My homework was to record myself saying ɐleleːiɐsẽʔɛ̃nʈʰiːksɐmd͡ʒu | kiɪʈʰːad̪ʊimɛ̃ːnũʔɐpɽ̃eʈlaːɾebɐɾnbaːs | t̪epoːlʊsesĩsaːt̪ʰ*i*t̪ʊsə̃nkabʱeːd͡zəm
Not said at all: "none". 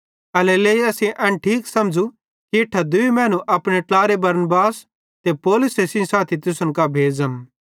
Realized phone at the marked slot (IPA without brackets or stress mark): i